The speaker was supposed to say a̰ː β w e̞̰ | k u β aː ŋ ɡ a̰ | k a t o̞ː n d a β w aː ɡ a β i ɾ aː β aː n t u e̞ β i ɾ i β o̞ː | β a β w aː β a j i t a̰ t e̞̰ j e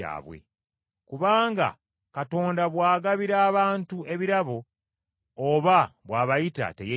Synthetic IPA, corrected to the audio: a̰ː β w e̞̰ | k u β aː ŋ ɡ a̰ | k a t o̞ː n d a β w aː ɡ a β i ɾ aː β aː n t u e̞ β i ɾ a β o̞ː | β a β w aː β a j i t a̰ t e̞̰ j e